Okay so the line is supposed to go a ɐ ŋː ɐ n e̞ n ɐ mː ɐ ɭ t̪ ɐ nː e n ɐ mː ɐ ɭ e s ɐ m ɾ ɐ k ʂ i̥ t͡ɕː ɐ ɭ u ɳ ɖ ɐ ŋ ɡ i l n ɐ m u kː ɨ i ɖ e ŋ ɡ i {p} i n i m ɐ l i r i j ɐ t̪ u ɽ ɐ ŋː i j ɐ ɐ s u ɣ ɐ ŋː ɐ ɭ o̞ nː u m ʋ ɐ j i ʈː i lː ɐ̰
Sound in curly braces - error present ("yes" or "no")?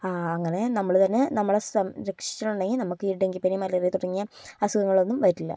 no